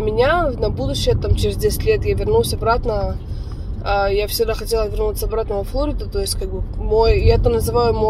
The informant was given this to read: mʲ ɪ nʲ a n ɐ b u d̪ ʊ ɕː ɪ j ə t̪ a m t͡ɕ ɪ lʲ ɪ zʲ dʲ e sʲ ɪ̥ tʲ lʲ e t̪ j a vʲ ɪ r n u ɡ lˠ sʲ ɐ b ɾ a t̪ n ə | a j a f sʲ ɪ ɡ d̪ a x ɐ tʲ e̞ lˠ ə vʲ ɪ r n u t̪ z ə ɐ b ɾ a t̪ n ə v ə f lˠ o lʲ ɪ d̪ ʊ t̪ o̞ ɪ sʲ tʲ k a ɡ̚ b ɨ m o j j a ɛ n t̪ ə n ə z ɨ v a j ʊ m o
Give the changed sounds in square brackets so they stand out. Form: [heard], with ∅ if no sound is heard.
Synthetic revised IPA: mʲ ɪ nʲ a n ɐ b u d̪ ʊ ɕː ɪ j ə t̪ a m t͡ɕ ɪ [ɾʲ] ɪ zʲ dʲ e sʲ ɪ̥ tʲ lʲ e t̪ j a vʲ ɪ r n u [∅] lˠ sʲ ɐ b ɾ a t̪ n ə | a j a f sʲ ɪ ɡ d̪ a x ɐ tʲ e̞ lˠ ə vʲ ɪ r n u t̪ [s] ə ɐ b ɾ a t̪ n ə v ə f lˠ o [ɾʲ] ɪ d̪ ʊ t̪ o̞ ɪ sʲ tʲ k a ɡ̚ b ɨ m o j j a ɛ [∅] t̪ ə n ə z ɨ v a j ʊ m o